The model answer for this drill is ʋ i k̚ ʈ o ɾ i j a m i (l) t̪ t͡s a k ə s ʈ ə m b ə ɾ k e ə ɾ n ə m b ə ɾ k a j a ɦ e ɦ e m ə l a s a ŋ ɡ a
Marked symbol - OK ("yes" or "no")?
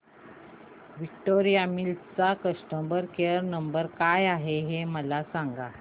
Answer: yes